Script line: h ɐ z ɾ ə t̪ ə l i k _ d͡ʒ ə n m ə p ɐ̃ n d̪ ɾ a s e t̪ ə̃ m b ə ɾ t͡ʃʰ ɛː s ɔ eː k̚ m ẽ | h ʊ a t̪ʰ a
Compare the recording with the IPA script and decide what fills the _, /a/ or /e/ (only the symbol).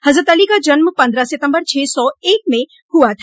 a